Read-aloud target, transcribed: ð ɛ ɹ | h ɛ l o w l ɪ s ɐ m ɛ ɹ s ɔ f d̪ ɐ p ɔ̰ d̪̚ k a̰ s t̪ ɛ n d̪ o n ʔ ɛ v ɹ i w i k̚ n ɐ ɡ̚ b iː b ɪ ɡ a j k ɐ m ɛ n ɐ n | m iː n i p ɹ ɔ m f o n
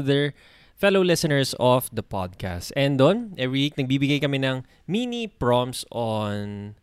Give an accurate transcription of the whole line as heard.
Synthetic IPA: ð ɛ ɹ | f ɛ l o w l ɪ s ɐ n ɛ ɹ s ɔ f d̪ ɐ p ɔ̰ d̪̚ k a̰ s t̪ ɛ n d̪ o n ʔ ɛ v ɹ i w i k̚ n ɐ ɡ̚ b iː b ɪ ɡ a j k ɐ m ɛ n ɐ ŋ | m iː n i p ɹ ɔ m s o n